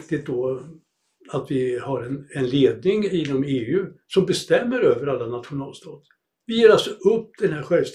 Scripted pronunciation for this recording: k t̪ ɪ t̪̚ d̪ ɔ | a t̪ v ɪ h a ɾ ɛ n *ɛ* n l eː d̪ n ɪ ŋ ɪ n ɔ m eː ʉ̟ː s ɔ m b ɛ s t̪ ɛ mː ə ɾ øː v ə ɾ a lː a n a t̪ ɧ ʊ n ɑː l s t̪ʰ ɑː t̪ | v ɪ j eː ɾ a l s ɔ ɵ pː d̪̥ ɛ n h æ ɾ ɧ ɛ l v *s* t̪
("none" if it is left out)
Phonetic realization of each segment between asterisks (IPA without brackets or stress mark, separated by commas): ɛ, s